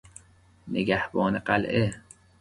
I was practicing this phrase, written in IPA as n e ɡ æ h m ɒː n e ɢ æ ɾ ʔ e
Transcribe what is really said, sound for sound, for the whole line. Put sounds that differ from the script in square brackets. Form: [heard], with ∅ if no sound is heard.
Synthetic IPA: n e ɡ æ h [b] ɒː n e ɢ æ [l] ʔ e